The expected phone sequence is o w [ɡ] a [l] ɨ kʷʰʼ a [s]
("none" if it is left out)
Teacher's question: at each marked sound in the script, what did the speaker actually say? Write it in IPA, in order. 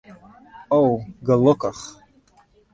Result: ɡ, l, χ

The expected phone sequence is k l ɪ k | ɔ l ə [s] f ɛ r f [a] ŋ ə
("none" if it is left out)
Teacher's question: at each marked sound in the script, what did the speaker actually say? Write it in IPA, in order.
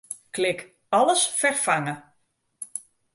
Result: s, a

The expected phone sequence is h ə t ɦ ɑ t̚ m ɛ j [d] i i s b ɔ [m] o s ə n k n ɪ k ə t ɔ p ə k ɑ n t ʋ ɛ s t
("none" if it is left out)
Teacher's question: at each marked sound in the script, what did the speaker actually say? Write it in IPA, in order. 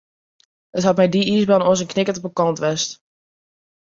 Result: d, n

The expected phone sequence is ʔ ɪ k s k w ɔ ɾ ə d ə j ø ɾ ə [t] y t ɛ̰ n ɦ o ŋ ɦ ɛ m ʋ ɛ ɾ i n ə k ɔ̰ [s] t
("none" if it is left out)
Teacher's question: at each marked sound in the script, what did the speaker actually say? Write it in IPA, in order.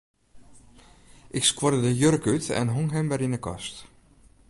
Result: k, s

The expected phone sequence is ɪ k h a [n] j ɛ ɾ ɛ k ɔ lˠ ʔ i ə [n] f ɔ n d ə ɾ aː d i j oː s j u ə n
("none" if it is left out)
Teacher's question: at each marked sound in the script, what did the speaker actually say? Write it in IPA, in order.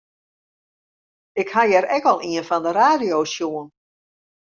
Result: none, n

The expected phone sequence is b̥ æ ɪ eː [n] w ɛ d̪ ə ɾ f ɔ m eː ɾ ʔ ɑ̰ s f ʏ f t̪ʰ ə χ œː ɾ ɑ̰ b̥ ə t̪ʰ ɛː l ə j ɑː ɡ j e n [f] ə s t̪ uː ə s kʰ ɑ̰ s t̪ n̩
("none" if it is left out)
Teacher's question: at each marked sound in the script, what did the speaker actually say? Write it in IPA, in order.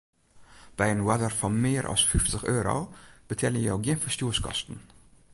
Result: n, f

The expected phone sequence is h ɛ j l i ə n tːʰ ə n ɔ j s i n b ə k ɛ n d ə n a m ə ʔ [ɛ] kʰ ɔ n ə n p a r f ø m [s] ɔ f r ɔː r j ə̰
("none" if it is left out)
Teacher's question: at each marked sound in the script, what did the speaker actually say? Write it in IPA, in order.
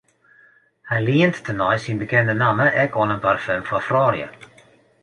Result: ɛ, f

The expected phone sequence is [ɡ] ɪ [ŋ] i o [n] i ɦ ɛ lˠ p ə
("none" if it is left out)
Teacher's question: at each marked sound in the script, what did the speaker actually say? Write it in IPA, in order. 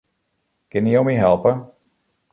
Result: k, n, m

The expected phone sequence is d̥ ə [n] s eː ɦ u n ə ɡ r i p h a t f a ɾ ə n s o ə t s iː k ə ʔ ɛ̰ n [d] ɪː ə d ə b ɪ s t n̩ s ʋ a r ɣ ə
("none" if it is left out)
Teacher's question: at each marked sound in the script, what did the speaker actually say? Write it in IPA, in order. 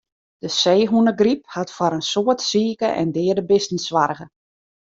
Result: none, d

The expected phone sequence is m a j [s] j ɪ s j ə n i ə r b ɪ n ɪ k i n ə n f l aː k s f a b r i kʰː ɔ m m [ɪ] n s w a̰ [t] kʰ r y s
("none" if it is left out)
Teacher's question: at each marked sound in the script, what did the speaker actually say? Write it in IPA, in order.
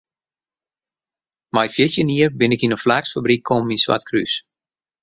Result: f, i, t

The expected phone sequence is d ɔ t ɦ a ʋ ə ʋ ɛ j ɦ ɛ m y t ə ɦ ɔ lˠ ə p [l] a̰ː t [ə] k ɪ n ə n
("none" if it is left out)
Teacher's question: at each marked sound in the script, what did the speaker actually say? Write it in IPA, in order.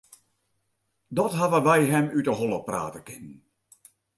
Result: r, ə

